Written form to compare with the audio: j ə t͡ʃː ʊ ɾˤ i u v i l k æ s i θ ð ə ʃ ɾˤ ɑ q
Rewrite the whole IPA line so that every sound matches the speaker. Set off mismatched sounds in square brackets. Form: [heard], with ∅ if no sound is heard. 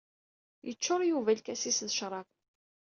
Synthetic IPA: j ə t͡ʃː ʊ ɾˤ [j] u v [æ] l k æ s i [s] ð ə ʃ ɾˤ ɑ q